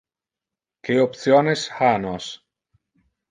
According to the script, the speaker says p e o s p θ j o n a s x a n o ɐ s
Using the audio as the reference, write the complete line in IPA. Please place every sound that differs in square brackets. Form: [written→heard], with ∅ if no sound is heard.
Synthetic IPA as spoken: [p→k] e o [s→∅] p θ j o n [a→e] s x a n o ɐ s